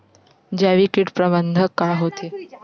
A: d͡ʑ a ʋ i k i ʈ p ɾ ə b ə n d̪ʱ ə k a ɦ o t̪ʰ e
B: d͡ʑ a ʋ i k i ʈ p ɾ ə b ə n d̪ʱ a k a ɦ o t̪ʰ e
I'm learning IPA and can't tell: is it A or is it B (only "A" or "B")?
A